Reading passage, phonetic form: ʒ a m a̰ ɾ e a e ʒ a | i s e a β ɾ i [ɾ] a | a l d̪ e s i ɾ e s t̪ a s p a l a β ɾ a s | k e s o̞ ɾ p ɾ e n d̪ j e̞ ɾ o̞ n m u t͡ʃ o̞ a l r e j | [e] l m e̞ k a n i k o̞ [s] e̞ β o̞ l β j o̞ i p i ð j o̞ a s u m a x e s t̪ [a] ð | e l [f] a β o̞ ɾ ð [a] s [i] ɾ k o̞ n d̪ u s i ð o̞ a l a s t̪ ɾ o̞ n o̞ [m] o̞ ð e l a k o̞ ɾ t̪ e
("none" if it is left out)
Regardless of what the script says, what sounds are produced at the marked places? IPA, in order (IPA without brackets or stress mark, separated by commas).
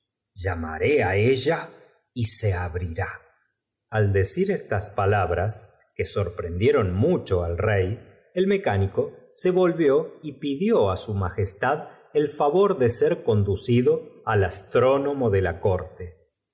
ɾ, e, s, a, f, e, e, m